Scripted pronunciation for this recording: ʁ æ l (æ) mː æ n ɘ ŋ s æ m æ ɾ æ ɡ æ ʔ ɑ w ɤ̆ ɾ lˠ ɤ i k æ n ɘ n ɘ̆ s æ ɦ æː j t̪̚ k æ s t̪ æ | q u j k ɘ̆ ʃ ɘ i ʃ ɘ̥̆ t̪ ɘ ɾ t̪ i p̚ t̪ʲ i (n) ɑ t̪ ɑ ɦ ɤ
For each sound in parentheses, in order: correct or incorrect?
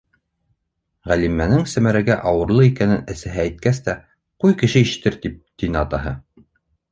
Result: incorrect, correct

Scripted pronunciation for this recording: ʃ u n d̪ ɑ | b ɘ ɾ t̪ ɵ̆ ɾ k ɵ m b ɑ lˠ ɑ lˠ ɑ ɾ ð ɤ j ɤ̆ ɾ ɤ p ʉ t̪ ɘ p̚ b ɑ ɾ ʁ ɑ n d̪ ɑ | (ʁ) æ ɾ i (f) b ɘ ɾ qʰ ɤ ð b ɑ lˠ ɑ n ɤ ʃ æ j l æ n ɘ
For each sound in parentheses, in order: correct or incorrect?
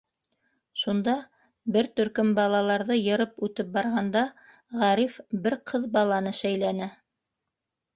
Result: correct, correct

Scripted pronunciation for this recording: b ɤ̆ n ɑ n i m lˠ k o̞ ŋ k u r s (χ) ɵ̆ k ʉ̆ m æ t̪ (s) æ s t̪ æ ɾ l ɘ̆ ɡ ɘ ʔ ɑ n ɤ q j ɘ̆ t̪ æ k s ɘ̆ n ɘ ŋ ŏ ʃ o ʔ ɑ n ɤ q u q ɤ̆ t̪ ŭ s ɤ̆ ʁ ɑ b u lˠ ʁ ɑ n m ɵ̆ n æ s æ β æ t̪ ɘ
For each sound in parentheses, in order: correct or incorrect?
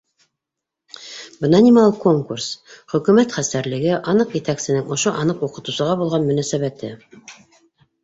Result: correct, incorrect

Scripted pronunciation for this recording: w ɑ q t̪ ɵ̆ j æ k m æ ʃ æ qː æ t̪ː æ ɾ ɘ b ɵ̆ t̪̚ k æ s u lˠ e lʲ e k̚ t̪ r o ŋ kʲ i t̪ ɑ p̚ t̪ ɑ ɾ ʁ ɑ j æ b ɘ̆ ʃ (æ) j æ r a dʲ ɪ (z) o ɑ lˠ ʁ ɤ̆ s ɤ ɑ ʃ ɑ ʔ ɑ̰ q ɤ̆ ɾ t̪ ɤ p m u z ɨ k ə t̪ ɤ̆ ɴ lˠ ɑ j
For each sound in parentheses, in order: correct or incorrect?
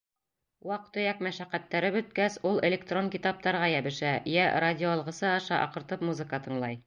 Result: correct, incorrect

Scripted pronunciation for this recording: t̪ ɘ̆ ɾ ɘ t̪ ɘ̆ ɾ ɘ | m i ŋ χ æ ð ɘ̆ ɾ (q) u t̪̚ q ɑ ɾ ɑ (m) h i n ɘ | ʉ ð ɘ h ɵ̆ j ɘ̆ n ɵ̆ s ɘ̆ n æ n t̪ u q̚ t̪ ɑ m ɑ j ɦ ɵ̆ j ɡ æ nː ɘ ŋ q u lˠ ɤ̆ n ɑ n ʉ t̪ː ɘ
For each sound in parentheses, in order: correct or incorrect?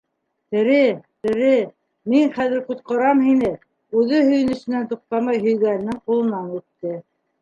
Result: correct, correct

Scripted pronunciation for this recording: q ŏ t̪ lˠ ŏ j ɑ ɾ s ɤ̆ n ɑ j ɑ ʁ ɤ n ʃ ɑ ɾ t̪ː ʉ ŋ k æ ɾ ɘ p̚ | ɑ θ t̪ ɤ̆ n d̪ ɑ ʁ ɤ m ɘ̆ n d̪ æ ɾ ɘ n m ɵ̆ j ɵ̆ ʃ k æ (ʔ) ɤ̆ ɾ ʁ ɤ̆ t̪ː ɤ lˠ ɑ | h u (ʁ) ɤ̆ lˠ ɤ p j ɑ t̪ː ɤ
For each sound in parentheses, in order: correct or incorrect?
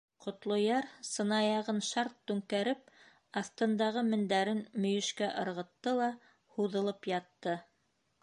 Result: correct, incorrect

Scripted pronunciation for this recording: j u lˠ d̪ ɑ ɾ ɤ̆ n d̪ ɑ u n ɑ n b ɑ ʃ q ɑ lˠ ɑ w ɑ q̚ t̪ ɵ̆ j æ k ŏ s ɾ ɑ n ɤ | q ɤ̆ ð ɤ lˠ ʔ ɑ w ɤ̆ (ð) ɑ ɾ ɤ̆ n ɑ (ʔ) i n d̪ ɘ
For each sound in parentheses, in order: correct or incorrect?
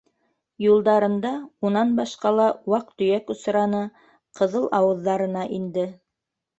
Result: incorrect, correct

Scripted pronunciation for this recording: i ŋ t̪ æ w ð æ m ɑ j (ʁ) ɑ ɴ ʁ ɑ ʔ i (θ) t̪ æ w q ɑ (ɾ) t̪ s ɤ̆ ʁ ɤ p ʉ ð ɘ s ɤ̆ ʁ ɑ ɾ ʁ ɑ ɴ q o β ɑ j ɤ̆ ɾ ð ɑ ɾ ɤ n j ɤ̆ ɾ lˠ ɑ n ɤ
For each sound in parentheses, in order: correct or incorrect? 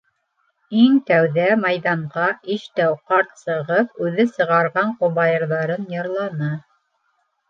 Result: incorrect, incorrect, correct

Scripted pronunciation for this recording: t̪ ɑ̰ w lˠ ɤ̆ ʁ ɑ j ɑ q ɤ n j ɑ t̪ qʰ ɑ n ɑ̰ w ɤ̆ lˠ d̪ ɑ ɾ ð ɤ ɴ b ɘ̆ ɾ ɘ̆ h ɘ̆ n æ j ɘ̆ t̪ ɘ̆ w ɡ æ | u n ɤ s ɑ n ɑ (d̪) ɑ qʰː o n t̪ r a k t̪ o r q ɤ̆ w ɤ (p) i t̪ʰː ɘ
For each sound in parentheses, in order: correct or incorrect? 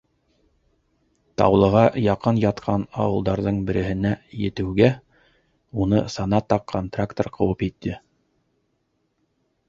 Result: incorrect, correct

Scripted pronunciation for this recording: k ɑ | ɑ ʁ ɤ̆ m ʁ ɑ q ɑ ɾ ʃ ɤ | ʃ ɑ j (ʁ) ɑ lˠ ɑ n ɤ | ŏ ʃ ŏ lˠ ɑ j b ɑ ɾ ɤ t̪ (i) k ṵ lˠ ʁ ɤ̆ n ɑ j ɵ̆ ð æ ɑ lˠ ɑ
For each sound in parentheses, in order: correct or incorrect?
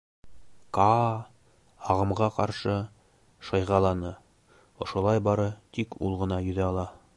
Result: correct, correct

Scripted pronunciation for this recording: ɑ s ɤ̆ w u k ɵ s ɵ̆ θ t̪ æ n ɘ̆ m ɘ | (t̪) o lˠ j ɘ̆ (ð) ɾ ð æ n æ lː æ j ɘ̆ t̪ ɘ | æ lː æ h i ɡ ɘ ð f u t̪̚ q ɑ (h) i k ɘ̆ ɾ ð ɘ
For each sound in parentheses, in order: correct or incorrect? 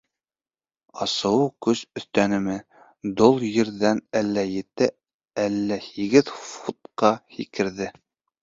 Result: incorrect, incorrect, correct

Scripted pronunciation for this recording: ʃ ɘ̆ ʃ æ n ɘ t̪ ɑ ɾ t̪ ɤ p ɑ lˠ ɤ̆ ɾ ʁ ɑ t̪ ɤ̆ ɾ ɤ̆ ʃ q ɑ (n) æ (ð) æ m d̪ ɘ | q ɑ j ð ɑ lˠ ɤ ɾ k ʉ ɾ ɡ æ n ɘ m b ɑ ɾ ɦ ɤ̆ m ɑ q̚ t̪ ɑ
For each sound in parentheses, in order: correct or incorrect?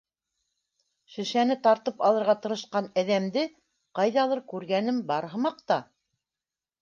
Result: correct, correct

